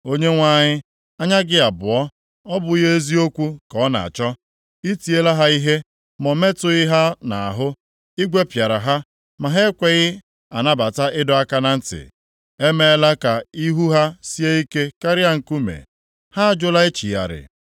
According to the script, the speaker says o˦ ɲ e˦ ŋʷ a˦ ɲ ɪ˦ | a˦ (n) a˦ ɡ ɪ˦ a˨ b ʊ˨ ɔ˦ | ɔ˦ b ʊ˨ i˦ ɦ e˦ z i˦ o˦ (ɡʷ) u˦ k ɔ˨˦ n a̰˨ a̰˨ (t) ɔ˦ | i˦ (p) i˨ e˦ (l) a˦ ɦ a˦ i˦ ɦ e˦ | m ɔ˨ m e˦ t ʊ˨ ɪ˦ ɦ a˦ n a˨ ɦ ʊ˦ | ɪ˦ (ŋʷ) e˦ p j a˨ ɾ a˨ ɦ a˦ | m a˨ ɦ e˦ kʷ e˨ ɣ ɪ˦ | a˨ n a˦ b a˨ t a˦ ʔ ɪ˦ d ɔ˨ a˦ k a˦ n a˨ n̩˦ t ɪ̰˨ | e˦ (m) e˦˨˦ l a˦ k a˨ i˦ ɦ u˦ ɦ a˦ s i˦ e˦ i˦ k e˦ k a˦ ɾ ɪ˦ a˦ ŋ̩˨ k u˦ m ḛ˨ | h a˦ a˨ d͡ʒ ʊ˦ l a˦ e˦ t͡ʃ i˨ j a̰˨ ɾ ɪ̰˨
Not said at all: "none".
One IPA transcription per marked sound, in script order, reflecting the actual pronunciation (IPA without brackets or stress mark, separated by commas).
ɲ, kʷ, t͡ʃ, t, l, ɡʷ, m